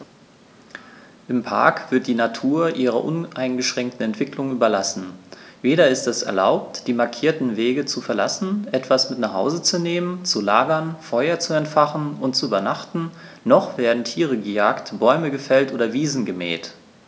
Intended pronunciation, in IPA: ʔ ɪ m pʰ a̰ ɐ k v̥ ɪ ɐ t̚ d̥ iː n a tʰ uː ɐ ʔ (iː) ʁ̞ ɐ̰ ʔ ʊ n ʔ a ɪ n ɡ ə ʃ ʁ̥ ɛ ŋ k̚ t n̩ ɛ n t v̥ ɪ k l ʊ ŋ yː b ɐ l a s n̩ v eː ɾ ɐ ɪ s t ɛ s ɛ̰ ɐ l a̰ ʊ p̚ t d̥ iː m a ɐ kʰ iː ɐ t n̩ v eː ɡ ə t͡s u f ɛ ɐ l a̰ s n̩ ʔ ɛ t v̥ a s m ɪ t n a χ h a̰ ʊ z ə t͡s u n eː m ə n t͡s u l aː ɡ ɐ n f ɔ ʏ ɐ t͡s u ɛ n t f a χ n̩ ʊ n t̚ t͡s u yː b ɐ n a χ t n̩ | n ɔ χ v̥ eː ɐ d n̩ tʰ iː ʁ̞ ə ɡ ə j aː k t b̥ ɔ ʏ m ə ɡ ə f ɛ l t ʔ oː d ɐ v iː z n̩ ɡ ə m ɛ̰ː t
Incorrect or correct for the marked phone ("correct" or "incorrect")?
correct